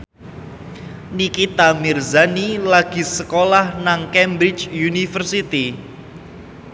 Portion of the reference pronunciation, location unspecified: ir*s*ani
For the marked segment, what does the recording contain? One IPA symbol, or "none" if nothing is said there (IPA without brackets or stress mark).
z